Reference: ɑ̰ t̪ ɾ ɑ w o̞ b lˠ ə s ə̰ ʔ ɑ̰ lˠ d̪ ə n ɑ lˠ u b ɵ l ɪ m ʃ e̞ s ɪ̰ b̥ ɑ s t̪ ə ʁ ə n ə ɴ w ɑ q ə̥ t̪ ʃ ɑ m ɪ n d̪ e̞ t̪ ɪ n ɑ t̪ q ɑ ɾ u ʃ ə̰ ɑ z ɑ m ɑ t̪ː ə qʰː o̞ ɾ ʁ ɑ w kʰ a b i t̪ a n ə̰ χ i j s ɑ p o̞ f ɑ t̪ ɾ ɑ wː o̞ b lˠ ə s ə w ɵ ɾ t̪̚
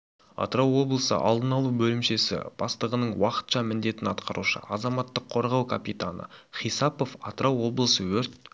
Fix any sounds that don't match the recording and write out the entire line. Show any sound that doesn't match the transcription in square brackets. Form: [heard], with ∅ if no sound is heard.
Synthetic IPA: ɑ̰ t̪ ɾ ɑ w o̞ b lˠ ə s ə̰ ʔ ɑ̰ lˠ d̪ ə n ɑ lˠ u b ɵ l ɪ m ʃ e̞ s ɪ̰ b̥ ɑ s t̪ ə ʁ ə n ə ɴ w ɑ q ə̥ t̪ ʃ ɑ m ɪ n d̪ e̞ t̪ ɪ n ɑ t̪ q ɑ ɾ u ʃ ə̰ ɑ z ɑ m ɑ t̪ː ə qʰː o̞ ɾ ʁ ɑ w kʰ a [p] i t̪ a n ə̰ χ i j s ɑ p o̞ f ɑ t̪ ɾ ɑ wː o̞ b lˠ ə s ə w ɵ ɾ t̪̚